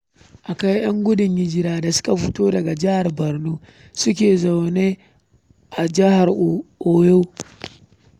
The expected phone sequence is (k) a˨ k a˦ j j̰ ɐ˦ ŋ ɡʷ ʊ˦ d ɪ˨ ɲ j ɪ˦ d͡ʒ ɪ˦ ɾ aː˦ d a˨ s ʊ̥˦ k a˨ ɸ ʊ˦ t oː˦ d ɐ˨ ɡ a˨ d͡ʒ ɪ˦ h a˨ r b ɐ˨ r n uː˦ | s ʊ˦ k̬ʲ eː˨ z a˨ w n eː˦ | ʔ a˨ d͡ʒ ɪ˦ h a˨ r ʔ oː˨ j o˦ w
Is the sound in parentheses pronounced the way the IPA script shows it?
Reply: no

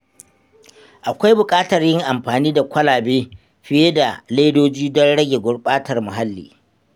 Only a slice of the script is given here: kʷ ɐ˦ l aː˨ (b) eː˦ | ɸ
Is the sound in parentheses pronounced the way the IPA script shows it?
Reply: yes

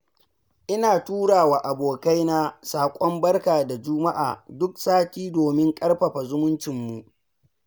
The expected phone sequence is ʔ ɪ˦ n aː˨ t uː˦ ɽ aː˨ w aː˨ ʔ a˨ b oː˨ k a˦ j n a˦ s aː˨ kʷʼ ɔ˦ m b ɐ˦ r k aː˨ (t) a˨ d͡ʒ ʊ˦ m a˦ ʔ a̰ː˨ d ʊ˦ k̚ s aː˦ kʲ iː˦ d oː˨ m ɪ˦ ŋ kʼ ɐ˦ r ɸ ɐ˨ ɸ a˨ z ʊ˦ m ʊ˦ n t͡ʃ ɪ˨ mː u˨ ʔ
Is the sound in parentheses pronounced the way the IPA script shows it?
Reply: no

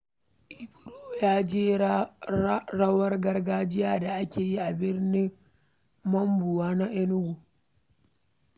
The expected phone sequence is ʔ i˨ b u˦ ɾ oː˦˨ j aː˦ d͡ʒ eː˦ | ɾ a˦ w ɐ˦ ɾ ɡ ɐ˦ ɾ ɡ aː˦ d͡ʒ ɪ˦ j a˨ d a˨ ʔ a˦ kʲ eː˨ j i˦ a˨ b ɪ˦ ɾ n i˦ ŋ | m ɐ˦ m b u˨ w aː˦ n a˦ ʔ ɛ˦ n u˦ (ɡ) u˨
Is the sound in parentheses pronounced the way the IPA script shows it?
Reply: yes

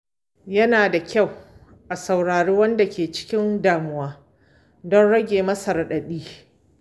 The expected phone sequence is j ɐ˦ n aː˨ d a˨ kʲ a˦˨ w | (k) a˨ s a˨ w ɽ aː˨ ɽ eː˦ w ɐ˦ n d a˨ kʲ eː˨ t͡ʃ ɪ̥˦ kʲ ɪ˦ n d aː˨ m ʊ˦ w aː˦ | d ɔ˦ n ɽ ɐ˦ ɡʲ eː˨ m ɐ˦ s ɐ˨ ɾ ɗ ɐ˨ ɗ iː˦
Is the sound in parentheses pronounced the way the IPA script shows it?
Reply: no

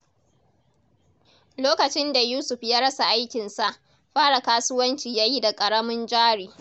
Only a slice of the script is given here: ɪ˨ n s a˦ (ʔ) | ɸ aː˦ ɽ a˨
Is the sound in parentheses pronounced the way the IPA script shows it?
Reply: yes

